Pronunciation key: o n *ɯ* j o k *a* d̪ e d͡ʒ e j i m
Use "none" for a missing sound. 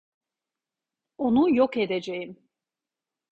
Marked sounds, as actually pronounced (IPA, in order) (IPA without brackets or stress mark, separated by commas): u, e